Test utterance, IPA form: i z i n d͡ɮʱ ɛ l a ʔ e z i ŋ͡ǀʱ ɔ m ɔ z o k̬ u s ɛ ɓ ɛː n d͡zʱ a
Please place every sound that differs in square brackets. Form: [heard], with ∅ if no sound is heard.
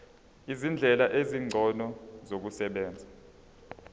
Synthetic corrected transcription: i z i n d͡ɮʱ ɛ l a ʔ e z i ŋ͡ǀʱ ɔ [n] ɔ z o k̬ u s ɛ ɓ ɛː n d͡zʱ a